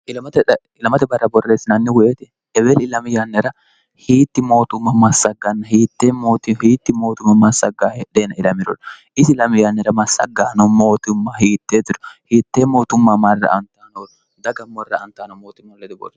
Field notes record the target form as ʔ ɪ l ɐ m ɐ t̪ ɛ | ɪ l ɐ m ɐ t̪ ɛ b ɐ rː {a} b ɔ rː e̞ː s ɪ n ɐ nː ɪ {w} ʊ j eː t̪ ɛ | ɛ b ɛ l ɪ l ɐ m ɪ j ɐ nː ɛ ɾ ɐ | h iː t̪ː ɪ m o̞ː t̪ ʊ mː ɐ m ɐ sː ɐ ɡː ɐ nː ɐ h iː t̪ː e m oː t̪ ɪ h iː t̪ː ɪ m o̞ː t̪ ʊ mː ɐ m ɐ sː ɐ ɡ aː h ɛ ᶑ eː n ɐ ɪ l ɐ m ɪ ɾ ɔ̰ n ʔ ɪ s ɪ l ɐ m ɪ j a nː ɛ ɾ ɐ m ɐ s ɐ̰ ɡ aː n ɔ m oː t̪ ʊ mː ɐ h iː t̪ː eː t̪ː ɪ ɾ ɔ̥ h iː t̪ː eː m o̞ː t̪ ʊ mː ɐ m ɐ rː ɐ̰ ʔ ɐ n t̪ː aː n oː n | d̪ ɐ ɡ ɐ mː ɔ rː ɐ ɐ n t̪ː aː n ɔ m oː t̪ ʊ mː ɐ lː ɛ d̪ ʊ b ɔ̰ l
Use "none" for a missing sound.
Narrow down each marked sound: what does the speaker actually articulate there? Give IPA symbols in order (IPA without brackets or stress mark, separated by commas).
ɐ, w